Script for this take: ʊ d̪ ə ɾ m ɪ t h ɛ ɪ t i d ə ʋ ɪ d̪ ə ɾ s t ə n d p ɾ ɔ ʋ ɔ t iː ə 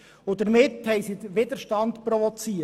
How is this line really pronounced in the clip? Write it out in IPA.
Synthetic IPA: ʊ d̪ ə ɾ m ɪ t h ɛ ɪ s i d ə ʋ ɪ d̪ ə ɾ ʃ t ɑ n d p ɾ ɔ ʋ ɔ t͡s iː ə